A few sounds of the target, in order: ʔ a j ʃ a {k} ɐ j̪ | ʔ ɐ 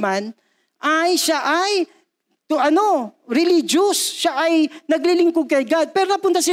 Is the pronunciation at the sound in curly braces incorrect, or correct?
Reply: incorrect